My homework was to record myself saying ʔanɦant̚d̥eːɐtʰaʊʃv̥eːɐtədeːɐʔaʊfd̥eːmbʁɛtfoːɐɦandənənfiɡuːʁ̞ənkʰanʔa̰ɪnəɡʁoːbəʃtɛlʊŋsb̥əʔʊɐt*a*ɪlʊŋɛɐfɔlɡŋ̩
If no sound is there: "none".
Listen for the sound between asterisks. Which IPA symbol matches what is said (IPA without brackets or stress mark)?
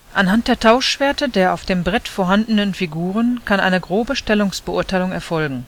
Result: a